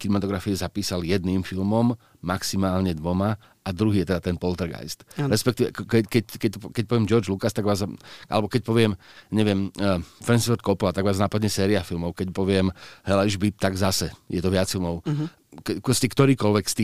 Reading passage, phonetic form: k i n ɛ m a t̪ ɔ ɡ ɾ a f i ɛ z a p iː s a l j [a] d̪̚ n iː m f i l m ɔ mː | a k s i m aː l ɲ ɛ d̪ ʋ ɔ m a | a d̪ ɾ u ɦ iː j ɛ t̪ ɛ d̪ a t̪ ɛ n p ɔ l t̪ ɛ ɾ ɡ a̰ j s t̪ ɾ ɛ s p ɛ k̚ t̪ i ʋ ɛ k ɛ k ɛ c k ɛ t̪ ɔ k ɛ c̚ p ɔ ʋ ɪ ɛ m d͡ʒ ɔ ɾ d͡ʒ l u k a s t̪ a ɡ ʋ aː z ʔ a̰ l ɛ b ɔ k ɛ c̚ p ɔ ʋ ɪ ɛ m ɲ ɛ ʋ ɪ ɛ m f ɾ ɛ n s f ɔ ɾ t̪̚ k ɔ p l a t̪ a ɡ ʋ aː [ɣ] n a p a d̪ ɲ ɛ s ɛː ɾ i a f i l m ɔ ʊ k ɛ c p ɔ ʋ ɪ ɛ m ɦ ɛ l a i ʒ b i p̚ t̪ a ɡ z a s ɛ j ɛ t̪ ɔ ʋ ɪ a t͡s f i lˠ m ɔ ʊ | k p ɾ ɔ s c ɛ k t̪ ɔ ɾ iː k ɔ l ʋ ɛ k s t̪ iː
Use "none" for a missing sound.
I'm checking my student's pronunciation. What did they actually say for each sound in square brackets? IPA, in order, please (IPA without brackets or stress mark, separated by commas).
ɛ, z